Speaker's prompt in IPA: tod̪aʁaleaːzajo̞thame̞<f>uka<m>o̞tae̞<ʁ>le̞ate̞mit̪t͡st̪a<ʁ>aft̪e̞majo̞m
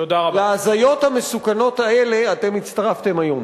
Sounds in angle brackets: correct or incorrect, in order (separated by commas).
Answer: incorrect, incorrect, incorrect, correct